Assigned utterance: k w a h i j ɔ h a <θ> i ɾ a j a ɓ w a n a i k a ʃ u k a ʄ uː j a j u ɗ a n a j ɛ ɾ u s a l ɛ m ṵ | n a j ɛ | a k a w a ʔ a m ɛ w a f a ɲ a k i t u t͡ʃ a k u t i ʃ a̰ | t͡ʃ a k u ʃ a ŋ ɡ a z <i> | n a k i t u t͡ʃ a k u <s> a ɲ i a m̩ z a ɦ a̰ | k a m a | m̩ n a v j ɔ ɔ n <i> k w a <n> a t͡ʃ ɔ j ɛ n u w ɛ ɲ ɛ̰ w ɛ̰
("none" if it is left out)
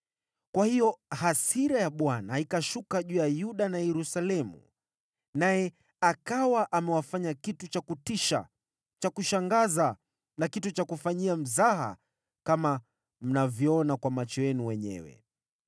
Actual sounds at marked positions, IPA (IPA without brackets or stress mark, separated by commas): s, a, f, a, m